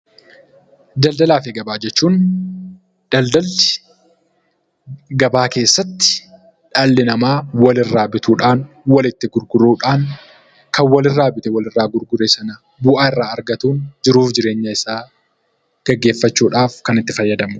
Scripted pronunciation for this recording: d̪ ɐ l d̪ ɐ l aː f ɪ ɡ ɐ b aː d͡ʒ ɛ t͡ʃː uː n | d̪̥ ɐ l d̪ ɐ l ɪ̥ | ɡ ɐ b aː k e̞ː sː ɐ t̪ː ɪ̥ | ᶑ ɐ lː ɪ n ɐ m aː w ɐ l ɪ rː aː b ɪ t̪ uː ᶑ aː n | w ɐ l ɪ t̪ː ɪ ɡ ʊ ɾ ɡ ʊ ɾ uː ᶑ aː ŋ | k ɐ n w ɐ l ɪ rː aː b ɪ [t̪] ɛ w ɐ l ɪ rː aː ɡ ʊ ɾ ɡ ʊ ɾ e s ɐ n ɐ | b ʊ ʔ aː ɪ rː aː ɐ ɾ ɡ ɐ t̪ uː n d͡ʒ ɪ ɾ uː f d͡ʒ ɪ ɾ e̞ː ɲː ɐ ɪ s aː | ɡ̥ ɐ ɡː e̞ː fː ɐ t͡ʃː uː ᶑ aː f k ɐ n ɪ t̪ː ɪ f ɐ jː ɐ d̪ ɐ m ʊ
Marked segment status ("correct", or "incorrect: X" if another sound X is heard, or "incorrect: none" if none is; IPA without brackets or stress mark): correct